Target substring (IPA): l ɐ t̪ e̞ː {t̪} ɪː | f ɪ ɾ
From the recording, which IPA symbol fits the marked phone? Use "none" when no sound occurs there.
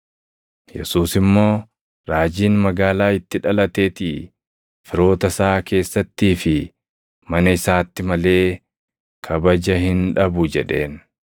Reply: t̪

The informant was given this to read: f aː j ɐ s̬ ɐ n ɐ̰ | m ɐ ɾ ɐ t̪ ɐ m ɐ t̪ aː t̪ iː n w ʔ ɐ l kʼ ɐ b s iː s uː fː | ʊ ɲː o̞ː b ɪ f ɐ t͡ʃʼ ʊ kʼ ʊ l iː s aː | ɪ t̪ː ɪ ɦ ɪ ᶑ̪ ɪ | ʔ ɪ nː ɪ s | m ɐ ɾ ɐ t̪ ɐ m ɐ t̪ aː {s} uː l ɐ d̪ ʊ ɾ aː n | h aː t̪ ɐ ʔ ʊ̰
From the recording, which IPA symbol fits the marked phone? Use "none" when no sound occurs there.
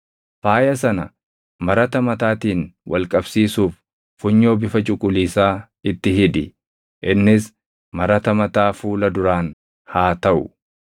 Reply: f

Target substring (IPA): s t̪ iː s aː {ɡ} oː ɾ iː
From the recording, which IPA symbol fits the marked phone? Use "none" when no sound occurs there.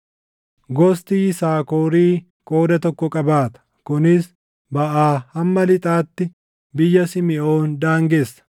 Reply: k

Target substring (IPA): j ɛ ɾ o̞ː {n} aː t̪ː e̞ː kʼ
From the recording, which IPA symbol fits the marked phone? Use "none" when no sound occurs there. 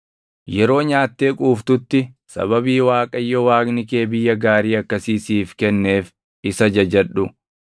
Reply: ɲ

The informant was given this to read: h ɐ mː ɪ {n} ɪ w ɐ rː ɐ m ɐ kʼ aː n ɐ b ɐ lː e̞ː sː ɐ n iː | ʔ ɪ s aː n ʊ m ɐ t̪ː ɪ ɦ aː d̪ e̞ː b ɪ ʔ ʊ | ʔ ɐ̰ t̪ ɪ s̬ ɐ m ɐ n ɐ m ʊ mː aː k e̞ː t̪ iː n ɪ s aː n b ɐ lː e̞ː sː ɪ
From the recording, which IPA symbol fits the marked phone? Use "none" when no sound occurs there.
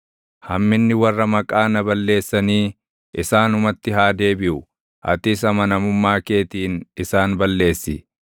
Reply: nː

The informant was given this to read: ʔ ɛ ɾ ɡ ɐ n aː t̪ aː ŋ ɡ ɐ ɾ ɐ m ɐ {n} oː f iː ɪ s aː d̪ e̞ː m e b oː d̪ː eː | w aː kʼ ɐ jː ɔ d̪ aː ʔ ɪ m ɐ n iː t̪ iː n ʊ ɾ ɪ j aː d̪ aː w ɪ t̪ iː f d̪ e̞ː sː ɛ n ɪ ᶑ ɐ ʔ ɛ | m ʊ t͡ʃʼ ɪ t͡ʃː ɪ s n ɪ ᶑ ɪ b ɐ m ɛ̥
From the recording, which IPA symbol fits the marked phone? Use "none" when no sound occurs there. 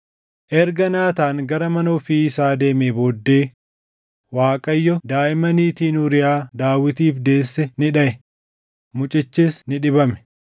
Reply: n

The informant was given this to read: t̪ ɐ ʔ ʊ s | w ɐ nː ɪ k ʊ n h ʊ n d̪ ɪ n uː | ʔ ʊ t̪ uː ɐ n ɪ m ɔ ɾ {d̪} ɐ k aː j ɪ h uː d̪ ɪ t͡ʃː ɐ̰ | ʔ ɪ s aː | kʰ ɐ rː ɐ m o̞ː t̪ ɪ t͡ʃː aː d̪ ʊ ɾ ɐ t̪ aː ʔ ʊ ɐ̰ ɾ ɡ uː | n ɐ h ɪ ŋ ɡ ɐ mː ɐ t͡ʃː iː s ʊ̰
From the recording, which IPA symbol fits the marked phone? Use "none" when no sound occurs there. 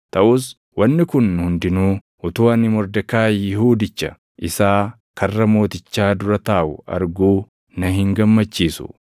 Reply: d̪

